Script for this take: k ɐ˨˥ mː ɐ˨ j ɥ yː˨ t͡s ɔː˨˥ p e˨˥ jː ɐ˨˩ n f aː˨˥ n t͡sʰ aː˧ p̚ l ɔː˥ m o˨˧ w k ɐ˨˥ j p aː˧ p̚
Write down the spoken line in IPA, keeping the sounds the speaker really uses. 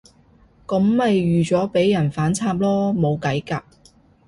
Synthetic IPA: k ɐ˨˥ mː ɐ˨ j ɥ yː˨ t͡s ɔː˨˥ p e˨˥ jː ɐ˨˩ n f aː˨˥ n t͡sʰ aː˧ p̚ l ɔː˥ m o˨˧ w k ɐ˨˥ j k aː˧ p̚